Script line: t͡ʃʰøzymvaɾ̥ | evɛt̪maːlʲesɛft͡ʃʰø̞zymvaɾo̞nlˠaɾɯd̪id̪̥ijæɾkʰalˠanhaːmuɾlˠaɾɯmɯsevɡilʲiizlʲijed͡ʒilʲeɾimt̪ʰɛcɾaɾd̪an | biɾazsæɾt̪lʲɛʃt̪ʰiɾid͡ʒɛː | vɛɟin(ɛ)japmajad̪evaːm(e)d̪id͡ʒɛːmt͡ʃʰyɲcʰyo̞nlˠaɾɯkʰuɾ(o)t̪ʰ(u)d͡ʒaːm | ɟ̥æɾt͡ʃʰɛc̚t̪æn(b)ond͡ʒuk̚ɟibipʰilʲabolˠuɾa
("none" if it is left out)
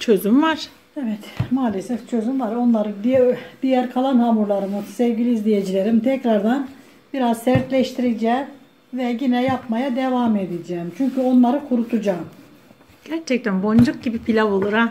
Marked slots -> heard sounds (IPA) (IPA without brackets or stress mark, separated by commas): ɛ, e, u, u, b